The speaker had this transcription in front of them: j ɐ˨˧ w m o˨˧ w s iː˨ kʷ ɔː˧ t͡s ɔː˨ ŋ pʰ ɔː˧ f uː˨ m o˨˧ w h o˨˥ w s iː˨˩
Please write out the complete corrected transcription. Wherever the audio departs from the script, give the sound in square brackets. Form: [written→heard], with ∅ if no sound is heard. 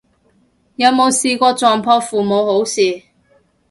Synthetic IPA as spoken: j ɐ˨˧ w m o˨˧ w s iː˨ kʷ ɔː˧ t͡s ɔː˨ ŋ pʰ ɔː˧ f uː˨ m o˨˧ w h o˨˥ w s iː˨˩